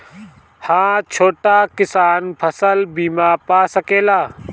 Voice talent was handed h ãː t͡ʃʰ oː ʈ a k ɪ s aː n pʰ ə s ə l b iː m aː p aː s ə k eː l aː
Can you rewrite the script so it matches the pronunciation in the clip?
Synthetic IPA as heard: h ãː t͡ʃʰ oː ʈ a k ɪ s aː n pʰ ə s ə l b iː m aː p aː s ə k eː l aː